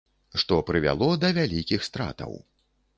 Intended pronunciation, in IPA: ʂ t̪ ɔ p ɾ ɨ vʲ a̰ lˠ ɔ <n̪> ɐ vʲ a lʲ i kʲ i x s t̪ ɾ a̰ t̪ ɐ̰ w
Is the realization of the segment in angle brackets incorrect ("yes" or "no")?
yes